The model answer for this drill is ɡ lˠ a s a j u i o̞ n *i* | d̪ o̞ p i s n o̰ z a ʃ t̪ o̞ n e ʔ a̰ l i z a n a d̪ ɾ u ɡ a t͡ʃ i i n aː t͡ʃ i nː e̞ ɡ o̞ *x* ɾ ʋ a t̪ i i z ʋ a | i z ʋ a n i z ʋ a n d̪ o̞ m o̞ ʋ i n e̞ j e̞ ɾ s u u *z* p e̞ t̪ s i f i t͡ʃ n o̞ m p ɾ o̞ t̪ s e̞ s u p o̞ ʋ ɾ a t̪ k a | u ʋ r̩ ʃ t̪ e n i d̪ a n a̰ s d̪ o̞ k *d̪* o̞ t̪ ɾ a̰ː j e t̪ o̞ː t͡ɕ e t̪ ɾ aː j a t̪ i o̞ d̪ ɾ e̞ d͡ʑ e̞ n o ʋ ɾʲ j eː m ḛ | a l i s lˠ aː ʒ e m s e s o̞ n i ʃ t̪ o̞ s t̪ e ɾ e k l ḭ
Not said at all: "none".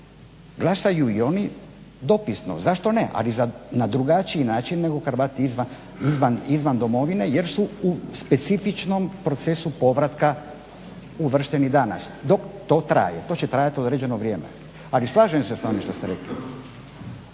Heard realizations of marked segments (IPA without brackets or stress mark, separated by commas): i, x, s, t̪